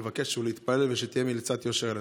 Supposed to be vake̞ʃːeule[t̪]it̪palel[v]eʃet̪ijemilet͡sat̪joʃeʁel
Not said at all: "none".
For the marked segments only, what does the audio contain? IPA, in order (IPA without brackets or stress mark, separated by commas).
none, v